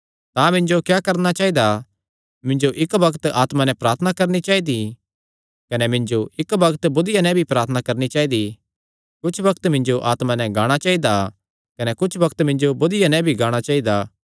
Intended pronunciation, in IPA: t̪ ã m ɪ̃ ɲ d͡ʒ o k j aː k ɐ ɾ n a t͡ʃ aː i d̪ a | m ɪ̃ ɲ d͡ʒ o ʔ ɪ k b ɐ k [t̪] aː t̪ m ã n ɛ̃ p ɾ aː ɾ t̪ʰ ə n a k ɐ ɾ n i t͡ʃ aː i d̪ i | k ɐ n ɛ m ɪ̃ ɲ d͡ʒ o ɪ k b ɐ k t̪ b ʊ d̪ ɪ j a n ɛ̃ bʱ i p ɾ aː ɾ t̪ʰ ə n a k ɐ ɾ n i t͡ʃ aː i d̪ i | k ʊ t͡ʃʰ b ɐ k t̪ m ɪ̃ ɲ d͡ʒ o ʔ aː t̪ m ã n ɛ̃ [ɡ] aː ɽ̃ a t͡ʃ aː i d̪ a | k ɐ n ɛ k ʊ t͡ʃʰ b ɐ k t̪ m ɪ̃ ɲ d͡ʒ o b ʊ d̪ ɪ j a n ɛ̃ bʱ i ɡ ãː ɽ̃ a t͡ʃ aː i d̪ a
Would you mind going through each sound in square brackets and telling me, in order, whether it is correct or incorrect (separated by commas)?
correct, correct